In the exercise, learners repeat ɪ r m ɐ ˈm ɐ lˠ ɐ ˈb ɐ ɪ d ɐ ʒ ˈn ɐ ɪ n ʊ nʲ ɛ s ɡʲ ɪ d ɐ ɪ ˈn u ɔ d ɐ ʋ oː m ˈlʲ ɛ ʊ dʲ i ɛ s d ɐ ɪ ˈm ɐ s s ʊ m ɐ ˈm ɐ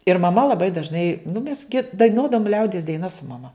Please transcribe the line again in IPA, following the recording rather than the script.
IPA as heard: ɪ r m ɐ ˈm ɐ lˠ ɐ ˈb ɐ ɪ d ɐ ʒ ˈn ɐ ɪ n ʊ mʲ ɛ s ɡʲ ɪ d ɐ ɪ ˈn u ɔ d ɐ ʋ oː m ˈlʲ ɛ ʊ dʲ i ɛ s d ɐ ɪ ˈn ɐ s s ʊ m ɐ ˈm ɐ